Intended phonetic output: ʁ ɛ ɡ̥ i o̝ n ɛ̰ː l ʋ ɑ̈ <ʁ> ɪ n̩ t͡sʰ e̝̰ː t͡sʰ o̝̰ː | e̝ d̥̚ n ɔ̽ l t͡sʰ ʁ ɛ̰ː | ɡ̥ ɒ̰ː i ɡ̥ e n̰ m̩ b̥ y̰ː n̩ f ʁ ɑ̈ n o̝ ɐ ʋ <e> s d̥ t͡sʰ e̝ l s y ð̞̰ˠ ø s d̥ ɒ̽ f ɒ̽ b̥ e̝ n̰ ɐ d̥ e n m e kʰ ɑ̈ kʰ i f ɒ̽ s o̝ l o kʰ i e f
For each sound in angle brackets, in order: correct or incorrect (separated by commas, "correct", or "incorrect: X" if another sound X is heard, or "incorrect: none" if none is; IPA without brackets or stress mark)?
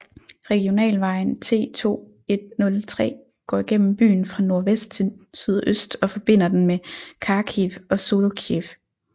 incorrect: none, correct